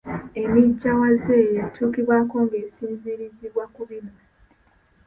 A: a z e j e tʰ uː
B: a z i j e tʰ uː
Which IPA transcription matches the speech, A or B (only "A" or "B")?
A